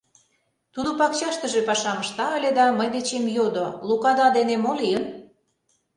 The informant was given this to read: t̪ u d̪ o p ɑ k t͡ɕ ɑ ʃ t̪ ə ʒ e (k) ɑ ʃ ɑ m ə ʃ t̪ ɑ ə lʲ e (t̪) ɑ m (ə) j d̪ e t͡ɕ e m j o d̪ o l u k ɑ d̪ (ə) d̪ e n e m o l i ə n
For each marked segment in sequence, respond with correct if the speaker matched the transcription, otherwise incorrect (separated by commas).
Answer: incorrect, incorrect, correct, incorrect